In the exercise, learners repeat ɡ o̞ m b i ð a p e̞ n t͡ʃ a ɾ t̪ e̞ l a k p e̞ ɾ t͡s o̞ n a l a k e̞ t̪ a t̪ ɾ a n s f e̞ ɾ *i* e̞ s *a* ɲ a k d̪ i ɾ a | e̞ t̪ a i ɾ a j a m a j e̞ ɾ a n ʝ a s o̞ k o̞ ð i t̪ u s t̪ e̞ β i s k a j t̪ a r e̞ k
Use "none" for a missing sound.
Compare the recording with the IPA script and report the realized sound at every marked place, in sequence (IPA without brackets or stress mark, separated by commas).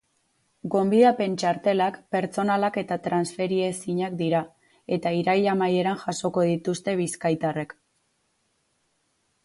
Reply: i, i